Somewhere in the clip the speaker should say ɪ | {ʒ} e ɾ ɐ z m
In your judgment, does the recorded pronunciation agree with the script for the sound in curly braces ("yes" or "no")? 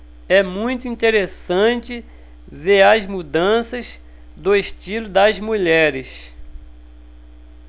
no